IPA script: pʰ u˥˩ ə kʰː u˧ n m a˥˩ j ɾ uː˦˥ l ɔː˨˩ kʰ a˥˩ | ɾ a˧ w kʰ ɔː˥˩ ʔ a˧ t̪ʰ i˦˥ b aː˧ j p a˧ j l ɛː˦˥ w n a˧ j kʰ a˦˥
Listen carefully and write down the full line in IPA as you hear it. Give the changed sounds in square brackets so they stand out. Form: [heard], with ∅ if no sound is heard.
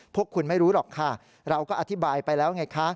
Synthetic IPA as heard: pʰ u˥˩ ə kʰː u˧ n m a˥˩ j ɾ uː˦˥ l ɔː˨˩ kʰ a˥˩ | ɾ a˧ w [k] ɔː˥˩ ʔ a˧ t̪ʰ i˦˥ b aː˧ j p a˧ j l ɛː˦˥ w [ŋ] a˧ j kʰ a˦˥